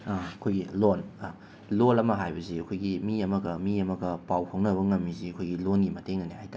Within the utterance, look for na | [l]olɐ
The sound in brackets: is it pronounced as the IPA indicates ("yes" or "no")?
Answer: yes